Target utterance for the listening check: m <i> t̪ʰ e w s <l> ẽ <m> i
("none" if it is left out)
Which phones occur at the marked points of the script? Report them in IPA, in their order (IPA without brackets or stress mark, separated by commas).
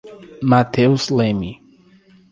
a, l, m